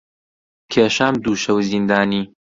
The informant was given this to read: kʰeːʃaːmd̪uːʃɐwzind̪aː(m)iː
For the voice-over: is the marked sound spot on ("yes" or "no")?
no